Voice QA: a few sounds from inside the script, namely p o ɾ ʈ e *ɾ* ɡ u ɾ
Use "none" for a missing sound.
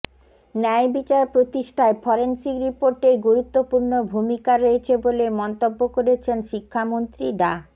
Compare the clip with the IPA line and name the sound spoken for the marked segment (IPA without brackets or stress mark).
ɾ